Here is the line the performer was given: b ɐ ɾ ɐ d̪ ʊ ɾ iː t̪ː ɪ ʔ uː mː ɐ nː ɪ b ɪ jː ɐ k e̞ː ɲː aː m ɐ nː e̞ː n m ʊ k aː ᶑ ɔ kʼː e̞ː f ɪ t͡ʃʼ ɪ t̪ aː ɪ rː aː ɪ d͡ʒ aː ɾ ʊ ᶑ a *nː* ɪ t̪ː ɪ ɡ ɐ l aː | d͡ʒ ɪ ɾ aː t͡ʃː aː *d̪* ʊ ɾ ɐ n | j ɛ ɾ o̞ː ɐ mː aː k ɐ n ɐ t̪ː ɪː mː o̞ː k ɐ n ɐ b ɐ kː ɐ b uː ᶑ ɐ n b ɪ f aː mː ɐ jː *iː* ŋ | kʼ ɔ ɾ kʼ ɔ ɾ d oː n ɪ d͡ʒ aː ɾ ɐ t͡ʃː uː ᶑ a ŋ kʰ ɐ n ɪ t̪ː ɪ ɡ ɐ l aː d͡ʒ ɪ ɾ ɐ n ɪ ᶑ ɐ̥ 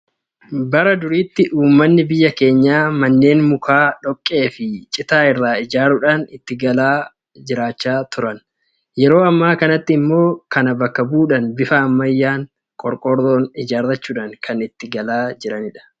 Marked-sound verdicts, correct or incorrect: incorrect: n, incorrect: t̪, incorrect: aː

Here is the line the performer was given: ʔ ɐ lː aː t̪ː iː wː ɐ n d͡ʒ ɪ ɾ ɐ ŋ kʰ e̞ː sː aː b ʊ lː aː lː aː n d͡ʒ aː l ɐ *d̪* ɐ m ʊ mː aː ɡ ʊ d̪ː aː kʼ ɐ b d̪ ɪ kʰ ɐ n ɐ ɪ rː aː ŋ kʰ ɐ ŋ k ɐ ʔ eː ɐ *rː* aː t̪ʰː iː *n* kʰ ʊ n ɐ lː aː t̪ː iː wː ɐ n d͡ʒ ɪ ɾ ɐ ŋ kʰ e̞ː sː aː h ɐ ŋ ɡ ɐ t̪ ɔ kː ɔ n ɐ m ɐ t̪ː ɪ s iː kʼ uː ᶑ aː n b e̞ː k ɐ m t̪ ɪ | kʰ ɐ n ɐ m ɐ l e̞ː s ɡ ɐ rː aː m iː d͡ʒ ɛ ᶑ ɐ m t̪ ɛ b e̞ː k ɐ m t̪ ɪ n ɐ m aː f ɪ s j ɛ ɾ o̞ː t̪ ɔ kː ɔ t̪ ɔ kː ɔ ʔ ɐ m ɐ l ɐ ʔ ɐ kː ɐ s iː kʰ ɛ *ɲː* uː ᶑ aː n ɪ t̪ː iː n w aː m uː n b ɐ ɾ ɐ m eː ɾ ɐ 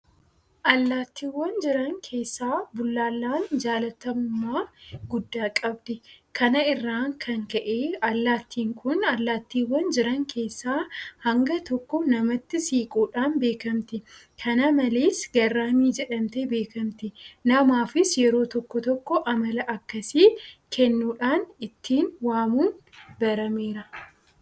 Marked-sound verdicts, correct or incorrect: incorrect: t̪, incorrect: lː, incorrect: ŋ, incorrect: nː

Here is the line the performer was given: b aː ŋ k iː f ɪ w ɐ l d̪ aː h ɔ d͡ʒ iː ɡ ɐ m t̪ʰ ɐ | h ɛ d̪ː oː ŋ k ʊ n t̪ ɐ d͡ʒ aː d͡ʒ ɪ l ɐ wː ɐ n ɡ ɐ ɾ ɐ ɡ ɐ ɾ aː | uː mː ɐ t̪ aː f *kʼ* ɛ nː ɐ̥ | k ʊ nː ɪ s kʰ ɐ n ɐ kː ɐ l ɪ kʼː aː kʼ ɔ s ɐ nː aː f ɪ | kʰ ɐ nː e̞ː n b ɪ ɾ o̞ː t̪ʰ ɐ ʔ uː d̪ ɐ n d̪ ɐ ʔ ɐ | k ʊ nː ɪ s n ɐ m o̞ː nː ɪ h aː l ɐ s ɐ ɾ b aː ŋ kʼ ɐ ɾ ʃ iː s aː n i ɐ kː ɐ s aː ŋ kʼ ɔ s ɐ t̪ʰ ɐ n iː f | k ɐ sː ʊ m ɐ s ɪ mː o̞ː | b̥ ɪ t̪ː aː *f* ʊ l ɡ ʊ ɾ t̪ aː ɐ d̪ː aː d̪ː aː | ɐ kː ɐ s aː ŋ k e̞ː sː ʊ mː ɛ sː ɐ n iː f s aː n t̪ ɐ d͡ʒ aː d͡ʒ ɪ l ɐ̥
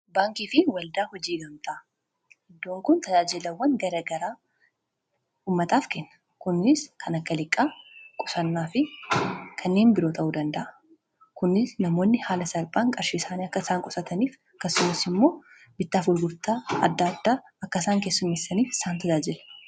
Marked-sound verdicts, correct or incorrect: incorrect: k, correct

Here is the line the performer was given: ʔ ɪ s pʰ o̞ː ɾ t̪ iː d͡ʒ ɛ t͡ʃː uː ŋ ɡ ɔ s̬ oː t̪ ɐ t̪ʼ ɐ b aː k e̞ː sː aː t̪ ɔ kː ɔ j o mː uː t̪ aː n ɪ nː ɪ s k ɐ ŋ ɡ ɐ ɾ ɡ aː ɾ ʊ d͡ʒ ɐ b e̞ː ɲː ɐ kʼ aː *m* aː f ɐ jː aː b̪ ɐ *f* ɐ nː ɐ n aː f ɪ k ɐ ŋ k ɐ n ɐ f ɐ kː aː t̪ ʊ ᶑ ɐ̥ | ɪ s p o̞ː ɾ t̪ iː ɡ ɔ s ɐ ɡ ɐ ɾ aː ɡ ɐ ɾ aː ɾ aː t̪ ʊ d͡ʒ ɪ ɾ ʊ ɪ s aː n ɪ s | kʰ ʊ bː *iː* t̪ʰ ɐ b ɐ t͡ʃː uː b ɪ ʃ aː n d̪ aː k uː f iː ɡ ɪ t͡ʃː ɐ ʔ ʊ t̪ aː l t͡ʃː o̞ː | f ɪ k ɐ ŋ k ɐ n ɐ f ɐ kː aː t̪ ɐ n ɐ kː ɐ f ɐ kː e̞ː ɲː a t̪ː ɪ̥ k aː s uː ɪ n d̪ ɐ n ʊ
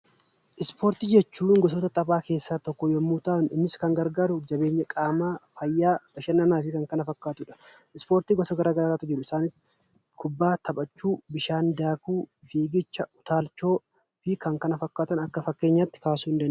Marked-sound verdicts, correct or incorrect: correct, incorrect: ʃ, incorrect: aː

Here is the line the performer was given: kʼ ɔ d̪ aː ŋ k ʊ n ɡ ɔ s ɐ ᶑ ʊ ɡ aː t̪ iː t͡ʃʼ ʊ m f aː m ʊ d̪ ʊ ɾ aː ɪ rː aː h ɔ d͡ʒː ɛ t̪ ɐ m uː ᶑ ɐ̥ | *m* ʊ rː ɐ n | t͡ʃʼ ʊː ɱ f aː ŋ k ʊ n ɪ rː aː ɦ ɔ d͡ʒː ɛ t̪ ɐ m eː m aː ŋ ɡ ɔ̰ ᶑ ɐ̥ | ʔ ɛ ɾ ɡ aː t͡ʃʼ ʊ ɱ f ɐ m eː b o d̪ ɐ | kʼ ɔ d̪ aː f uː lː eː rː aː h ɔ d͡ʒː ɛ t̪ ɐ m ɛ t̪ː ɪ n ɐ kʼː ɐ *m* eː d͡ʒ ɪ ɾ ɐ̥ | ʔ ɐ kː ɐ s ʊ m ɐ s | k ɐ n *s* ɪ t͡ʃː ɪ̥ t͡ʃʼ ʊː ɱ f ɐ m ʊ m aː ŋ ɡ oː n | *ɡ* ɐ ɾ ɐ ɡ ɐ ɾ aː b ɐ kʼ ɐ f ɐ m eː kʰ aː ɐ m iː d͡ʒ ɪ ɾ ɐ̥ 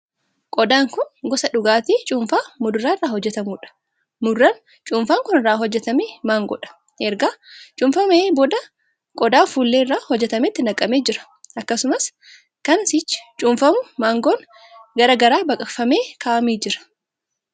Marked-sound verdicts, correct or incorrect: correct, correct, correct, correct

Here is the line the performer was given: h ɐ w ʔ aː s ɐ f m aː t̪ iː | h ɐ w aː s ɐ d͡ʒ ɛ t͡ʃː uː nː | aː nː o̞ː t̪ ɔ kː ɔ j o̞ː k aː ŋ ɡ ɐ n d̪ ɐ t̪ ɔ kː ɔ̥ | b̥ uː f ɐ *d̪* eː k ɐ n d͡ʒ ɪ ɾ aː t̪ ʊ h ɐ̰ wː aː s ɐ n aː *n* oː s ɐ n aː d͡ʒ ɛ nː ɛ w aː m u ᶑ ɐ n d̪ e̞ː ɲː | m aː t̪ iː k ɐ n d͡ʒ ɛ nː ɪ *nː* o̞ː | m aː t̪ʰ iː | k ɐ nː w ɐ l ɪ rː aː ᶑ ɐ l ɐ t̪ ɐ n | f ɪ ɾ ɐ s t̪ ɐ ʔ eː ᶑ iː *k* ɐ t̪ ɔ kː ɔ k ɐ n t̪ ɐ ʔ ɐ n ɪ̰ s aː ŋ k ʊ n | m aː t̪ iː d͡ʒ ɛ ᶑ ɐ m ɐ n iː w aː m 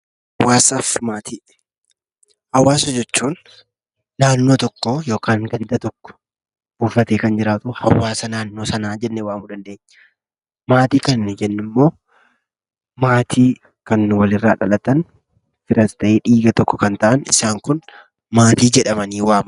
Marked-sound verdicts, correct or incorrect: incorrect: t̪, incorrect: nː, incorrect: mː, incorrect: ɡ

